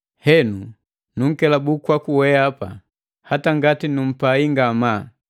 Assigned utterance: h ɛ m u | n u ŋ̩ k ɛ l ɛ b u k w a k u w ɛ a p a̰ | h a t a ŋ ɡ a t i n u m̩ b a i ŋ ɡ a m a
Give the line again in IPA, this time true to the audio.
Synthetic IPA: h ɛ n u | n u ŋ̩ k ɛ l a b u k w a k u w ɛ a p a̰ | h a t a ŋ ɡ a t i n u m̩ p a i ŋ ɡ a m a